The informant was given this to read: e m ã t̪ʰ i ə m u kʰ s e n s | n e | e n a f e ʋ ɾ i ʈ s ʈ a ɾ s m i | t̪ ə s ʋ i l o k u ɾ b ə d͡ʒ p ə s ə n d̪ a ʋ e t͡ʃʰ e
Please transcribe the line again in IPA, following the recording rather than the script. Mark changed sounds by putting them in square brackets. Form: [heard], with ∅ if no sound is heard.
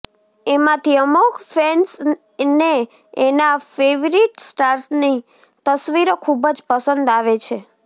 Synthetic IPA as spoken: e m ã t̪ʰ i ə m u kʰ [f] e n s | n e | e n a f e ʋ ɾ i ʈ s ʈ a ɾ s [n] i | t̪ ə s ʋ i [ɾ] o [kʰ] u [∅] b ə d͡ʒ p ə s ə n d̪ a ʋ e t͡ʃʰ e